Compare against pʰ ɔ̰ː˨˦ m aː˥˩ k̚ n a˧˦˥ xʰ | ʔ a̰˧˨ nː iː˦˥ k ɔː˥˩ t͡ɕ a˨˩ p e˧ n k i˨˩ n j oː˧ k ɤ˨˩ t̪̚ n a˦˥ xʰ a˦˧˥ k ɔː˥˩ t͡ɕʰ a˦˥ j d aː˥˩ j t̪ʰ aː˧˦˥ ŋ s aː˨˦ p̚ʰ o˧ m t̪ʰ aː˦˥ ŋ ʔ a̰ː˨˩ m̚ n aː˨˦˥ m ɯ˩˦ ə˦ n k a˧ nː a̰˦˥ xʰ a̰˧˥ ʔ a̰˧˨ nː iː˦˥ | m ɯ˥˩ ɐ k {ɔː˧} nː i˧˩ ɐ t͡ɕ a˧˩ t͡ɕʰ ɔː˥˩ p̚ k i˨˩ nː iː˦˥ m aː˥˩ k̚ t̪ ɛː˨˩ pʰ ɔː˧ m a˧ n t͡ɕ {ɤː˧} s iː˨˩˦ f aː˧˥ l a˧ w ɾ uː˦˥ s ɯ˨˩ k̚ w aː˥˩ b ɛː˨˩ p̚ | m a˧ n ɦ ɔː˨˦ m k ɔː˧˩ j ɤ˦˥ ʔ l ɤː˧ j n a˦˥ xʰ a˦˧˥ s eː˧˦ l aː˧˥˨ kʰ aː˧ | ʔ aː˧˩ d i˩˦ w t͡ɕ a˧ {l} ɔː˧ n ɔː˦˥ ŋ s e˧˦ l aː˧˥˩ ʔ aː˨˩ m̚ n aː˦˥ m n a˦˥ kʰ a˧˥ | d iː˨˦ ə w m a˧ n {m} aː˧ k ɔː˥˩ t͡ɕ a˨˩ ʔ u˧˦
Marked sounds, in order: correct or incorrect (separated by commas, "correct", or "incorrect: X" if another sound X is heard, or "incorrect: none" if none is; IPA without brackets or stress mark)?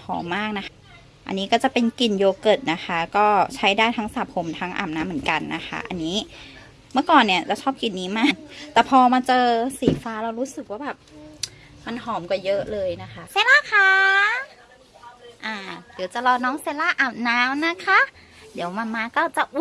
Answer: incorrect: ɔː˨˩, correct, correct, correct